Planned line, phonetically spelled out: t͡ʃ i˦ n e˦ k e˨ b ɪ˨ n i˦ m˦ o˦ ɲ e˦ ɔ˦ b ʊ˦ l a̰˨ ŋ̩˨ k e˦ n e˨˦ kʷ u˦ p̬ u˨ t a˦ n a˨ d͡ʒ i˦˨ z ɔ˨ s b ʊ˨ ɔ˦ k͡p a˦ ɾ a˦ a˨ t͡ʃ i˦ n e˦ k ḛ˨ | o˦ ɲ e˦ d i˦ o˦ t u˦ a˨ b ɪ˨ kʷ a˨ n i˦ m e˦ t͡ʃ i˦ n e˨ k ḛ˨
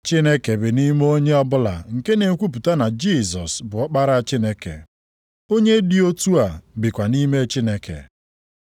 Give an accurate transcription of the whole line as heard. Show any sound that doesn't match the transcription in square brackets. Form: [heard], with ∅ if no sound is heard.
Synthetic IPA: t͡ʃ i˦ n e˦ k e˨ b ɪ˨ n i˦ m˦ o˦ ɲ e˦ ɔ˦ b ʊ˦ l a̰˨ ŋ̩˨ k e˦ n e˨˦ kʷ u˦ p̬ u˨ t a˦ n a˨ d͡ʒ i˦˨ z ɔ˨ s b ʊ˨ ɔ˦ k͡p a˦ ɾ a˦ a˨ t͡ʃ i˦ n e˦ k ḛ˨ | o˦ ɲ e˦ d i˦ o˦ t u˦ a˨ b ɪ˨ kʷ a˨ n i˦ m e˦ t͡ʃ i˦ n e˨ k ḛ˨